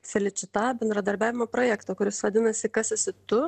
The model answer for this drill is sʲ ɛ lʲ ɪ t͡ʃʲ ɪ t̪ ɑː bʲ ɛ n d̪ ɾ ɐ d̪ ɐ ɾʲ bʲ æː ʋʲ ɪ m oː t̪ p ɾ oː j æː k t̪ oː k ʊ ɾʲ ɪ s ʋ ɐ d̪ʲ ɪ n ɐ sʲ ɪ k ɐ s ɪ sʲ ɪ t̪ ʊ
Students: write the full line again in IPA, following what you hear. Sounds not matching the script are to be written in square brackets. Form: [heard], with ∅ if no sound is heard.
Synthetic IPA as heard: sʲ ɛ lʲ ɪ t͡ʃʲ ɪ t̪ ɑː bʲ ɛ n d̪ ɾ ɐ d̪ ɐ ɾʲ bʲ æː ʋʲ ɪ m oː [∅] p ɾ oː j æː k t̪ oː k ʊ ɾʲ ɪ s ʋ ɐ d̪ʲ ɪ n ɐ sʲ ɪ k ɐ s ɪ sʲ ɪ t̪ ʊ